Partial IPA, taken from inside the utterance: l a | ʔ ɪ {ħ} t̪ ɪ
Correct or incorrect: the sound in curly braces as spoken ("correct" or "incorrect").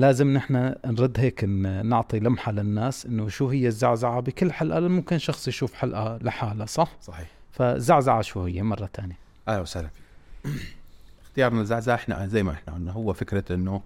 incorrect